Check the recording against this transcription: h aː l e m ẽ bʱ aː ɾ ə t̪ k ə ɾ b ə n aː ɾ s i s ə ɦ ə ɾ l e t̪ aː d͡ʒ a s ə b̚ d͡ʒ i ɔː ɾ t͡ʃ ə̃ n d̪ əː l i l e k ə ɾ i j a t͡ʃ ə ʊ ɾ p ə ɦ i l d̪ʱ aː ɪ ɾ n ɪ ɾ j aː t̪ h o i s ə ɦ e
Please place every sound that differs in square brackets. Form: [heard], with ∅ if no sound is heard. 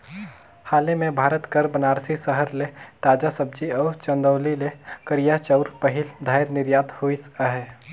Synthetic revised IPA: h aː l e m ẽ bʱ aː ɾ ə t̪ k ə ɾ b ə n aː ɾ s i s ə ɦ ə ɾ l e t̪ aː d͡ʒ a s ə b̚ d͡ʒ i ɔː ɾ t͡ʃ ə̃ n d̪ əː l i l e k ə ɾ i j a t͡ʃ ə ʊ ɾ p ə ɦ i l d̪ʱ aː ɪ ɾ n ɪ ɾ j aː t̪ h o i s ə ɦ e